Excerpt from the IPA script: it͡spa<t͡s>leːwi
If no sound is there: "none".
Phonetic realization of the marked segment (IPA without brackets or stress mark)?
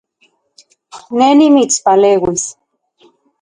none